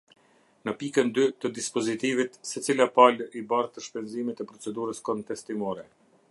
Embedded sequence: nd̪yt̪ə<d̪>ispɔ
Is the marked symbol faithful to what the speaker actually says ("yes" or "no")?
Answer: yes